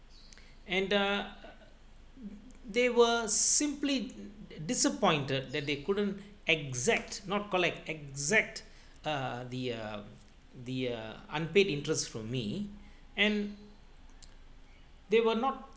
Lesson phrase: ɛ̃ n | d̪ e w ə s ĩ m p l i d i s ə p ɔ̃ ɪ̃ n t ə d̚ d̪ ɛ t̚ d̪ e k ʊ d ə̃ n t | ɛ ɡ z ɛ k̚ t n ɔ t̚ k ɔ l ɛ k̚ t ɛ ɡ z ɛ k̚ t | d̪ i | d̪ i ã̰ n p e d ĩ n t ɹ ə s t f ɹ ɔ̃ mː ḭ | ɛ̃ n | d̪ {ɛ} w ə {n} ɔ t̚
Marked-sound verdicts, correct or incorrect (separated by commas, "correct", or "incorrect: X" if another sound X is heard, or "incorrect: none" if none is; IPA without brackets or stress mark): incorrect: e, correct